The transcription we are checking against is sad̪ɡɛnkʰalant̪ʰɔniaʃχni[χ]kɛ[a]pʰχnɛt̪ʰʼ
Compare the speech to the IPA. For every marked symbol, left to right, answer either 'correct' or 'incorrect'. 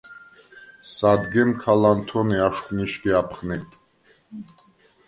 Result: incorrect, correct

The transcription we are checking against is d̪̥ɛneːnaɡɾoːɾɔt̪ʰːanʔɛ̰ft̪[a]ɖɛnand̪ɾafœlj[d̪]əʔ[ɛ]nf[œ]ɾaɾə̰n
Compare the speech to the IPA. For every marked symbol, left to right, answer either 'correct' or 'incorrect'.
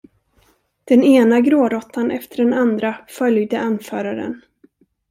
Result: incorrect, correct, incorrect, incorrect

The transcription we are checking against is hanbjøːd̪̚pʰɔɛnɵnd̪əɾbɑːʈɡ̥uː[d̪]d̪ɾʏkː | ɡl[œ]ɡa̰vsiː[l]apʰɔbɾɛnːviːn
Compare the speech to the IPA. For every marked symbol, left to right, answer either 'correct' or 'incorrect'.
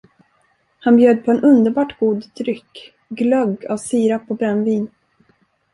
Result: correct, correct, incorrect

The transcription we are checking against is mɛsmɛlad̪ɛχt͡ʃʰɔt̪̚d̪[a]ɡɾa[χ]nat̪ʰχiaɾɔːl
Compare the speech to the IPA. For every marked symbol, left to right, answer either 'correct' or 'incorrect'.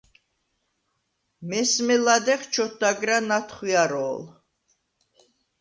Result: correct, incorrect

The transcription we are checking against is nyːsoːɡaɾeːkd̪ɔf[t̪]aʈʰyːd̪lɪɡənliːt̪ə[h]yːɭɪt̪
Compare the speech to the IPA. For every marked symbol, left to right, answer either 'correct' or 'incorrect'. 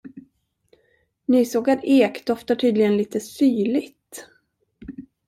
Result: correct, incorrect

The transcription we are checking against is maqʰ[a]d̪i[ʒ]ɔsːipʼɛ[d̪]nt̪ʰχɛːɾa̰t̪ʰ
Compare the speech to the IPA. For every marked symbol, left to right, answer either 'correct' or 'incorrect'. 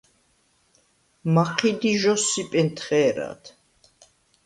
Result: incorrect, correct, incorrect

